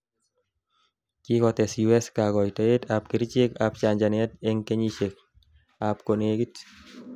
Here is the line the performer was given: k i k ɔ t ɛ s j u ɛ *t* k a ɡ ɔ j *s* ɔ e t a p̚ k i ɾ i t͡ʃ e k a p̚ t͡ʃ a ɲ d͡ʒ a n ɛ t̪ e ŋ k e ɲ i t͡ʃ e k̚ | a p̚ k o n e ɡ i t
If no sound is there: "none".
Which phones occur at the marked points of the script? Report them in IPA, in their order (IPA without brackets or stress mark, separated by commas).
s, t